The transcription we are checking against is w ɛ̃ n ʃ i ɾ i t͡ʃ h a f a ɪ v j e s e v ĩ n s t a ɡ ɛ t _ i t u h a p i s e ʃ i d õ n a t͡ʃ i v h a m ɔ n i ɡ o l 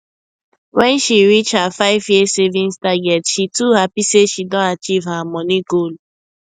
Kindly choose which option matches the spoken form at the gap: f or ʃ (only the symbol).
ʃ